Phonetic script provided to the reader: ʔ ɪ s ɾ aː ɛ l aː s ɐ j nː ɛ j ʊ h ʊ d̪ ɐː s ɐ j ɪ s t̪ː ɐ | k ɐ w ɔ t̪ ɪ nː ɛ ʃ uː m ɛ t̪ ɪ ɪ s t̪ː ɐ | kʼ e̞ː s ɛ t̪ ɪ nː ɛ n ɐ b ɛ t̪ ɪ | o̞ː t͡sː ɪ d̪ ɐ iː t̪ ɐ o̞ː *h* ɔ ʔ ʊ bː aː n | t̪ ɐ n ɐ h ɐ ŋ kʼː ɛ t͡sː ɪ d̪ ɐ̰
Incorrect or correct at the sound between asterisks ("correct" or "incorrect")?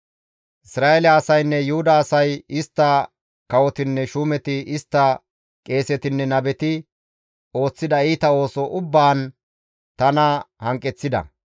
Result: incorrect